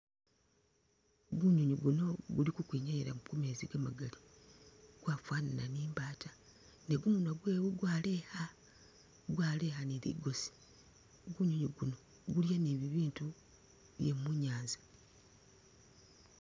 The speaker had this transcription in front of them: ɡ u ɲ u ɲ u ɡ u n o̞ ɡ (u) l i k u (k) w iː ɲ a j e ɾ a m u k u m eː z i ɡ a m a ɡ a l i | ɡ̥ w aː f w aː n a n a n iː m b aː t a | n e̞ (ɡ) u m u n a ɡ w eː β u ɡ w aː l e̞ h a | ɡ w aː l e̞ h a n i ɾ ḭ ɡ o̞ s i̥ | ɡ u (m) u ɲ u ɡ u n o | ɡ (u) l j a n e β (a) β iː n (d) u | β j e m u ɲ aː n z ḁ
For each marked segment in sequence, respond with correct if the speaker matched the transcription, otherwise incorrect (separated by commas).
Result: correct, correct, correct, incorrect, correct, incorrect, incorrect